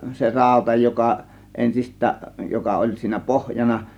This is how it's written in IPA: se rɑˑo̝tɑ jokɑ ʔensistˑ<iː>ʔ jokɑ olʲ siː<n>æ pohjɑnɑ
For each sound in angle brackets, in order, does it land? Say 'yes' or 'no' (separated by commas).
no, yes